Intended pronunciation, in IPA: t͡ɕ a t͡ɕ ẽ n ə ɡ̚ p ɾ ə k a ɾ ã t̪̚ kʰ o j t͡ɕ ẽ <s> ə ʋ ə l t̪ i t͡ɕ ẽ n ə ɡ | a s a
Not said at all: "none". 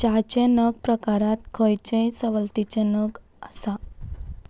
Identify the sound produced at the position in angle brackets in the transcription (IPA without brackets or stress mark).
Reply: s